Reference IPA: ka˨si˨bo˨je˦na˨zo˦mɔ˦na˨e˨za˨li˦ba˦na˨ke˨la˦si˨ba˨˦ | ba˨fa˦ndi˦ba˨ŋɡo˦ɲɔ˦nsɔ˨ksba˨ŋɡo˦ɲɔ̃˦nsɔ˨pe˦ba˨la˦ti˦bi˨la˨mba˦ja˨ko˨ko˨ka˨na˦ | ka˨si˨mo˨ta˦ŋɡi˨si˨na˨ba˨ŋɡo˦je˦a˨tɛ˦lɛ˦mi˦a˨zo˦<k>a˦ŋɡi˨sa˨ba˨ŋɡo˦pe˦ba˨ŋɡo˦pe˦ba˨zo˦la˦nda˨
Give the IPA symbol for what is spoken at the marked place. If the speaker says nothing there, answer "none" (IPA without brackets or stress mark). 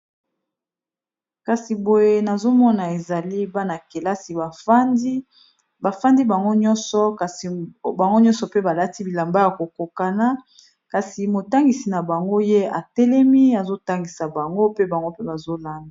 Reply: t